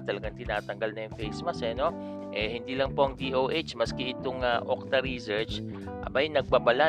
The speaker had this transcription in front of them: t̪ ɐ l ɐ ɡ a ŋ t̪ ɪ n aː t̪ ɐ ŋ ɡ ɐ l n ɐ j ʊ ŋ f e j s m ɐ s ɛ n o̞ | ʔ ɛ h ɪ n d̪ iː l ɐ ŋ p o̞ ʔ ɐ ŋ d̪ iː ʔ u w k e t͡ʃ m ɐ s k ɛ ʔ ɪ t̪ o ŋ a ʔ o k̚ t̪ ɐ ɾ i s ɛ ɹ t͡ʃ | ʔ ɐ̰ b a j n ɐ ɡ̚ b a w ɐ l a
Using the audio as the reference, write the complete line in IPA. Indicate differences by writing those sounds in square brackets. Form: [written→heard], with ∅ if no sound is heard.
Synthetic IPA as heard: t̪ ɐ l ɐ ɡ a ŋ t̪ ɪ n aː t̪ ɐ ŋ ɡ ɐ l n ɐ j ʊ ŋ f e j s m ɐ s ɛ n o̞ | ʔ ɛ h ɪ n d̪ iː l ɐ ŋ p o̞ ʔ ɐ ŋ d̪ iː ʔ [u→o] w [k→ʔ] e t͡ʃ m ɐ s k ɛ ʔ ɪ t̪ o ŋ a ʔ o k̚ t̪ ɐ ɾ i s ɛ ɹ t͡ʃ | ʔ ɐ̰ b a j n ɐ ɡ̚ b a [w→b] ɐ l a